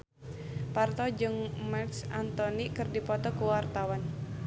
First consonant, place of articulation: labial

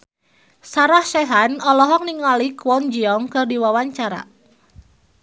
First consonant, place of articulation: alveolar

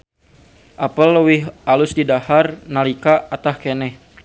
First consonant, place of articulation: glottal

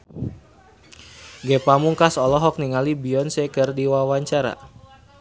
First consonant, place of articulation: velar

